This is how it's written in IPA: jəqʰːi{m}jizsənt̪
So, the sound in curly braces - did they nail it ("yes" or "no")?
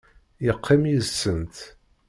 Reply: yes